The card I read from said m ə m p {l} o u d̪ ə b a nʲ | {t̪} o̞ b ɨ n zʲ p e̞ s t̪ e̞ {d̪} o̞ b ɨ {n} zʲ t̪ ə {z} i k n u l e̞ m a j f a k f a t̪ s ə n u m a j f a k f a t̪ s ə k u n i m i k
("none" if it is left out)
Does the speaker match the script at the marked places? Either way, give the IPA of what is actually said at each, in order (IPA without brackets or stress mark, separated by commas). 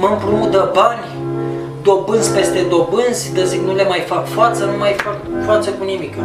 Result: ɾ, d̪, d̪, n, z